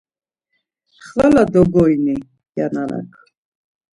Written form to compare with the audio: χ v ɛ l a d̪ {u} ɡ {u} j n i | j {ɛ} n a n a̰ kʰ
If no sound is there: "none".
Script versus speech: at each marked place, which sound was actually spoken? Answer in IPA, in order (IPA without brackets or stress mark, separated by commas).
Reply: ɔ, ɔ, a